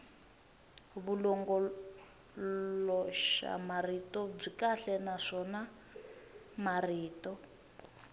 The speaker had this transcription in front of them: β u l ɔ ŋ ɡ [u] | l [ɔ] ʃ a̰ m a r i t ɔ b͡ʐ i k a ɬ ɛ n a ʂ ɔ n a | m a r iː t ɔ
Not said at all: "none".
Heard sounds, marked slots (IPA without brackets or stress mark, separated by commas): ɔ, ɔ